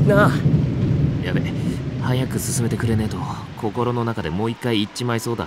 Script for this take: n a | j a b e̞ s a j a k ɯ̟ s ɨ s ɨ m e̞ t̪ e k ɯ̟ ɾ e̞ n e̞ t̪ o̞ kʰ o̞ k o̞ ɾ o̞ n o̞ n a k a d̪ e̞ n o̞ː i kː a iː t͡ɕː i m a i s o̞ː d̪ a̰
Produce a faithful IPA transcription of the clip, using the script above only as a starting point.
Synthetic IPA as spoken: n a | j a b e̞ h a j a k ɯ̟ s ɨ s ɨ m e̞ t̪ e k ɯ̟ ɾ e̞ n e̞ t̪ o̞ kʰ o̞ k o̞ ɾ o̞ n o̞ n a k a d̪ e̞ m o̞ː i kː a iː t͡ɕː i m a i s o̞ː d̪ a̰